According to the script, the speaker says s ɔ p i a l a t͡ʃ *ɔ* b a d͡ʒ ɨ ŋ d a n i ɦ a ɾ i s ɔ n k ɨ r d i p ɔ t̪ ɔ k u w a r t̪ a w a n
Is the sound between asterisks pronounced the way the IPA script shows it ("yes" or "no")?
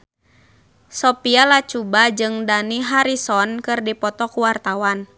no